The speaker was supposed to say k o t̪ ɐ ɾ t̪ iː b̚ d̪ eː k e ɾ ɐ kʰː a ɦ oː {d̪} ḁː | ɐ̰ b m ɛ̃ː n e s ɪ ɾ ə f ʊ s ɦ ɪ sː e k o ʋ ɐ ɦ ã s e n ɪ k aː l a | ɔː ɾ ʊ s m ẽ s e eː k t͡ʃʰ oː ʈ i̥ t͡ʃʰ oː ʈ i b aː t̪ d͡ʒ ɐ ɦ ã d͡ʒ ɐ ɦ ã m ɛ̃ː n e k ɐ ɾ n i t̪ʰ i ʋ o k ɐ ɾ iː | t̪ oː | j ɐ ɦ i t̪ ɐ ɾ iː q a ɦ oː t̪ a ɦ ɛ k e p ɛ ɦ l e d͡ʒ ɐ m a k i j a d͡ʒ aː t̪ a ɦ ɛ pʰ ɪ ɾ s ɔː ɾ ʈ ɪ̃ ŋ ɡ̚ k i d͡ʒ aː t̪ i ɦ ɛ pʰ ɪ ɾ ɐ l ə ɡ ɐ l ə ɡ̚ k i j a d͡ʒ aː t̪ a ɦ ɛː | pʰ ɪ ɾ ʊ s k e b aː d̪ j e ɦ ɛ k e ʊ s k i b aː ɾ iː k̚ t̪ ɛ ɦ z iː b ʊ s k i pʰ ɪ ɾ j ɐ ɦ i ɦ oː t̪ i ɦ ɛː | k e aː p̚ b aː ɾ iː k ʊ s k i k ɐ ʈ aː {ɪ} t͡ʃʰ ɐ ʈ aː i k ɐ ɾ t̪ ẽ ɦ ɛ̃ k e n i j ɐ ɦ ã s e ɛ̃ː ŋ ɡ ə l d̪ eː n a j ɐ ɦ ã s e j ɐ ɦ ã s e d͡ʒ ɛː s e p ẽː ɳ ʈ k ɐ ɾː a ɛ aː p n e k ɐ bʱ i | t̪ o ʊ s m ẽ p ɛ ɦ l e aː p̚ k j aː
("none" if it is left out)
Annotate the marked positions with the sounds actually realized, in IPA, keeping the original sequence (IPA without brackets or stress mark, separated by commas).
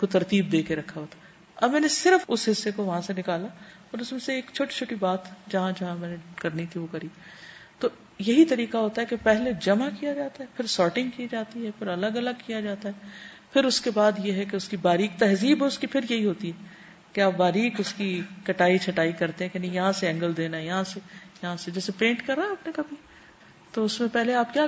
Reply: t̪, i